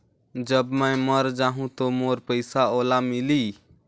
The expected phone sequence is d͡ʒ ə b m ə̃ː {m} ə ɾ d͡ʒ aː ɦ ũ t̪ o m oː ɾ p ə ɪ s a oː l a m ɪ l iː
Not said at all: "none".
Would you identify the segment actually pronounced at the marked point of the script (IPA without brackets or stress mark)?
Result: m